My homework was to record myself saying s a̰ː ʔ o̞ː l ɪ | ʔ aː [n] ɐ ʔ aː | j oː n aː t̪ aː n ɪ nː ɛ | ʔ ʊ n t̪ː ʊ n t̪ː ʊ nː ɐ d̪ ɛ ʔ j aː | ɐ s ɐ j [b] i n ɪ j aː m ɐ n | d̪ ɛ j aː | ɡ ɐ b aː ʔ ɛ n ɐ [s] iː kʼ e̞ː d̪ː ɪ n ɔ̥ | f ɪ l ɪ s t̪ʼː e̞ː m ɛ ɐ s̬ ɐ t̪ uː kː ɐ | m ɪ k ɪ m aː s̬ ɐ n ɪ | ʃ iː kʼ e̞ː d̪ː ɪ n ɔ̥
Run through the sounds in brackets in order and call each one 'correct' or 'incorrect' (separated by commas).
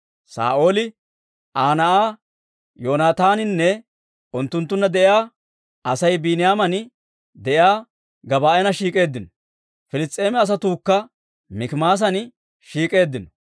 correct, correct, incorrect